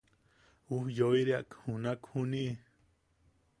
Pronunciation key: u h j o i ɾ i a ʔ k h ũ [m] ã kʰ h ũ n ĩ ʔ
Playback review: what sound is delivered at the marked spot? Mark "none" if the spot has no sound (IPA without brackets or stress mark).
n